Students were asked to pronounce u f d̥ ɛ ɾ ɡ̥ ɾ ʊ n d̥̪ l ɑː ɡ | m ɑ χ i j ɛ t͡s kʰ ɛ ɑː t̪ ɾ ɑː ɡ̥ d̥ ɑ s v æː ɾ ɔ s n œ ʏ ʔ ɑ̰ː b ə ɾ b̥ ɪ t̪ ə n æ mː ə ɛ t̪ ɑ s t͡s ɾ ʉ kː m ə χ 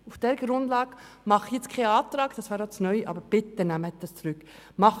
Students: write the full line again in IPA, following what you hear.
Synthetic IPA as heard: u f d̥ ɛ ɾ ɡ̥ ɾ ʊ n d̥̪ l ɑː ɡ | m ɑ χ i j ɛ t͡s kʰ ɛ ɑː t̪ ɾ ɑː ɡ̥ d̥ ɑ s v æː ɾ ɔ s n œ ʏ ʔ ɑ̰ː b ə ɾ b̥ ɪ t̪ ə n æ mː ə ɛ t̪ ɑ s t͡s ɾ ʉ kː m ɑ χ